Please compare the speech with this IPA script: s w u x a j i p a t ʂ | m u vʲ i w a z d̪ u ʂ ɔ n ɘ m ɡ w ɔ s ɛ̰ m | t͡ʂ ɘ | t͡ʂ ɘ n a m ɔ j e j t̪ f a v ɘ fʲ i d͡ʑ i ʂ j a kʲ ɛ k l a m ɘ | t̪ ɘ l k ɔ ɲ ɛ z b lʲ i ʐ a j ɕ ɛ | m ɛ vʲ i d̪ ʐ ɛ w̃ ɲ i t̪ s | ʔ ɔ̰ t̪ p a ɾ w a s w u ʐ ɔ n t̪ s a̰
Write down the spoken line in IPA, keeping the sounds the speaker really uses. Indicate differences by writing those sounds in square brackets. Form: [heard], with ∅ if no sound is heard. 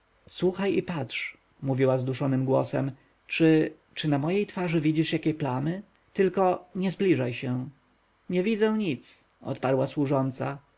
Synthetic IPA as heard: s w u x a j i p a t ʂ | m u vʲ i w a z d̪ u ʂ ɔ n ɘ m ɡ w ɔ s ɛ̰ m | t͡ʂ ɘ | t͡ʂ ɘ n a m ɔ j e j t̪ f a [ʐ] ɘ [vʲ] i d͡ʑ i ʂ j a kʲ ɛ [p] l a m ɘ | t̪ ɘ l k ɔ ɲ ɛ z b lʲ i ʐ a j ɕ ɛ | [ɲ] ɛ vʲ i d̪ [z] ɛ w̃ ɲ i t̪ s | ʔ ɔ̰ t̪ p a ɾ w a s w u ʐ ɔ n t̪ s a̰